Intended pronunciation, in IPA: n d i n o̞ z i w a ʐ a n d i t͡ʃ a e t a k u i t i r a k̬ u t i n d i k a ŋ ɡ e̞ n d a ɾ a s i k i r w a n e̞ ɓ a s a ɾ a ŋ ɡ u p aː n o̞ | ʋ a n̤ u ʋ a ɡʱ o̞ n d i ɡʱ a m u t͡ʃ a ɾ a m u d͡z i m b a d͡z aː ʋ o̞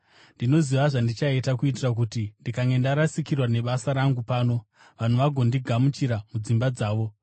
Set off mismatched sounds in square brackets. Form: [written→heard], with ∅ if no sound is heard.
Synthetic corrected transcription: n d i n o̞ z i [w→ʋ] a ʐ a n d i t͡ʃ a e t a k u i t i r a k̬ u t i n d i k a ŋ ɡ e̞ n d a ɾ a s i k i r w a n e̞ ɓ a s a ɾ a ŋ ɡ u p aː n o̞ | ʋ a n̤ u ʋ a ɡʱ o̞ n d i ɡʱ a m u t͡ʃ [a→i] ɾ a m u d͡z i m b a d͡z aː ʋ o̞